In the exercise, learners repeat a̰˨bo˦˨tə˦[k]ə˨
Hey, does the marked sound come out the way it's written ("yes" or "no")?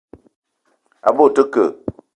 yes